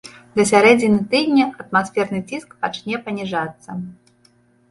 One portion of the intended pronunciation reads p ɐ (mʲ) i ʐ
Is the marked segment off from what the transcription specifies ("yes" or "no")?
yes